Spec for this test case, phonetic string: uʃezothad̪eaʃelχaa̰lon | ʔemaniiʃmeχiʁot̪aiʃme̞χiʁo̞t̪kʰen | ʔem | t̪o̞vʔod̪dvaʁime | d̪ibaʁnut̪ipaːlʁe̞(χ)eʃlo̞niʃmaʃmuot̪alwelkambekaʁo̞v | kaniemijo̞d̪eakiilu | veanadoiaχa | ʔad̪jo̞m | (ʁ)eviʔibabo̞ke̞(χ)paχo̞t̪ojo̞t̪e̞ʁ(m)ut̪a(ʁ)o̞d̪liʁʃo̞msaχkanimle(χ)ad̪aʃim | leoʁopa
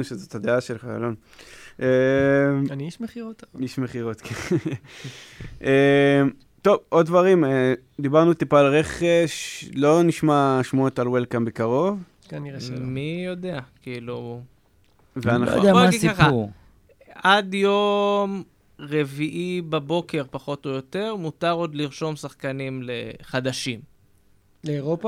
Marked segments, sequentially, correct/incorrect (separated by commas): correct, correct, incorrect, correct, correct, correct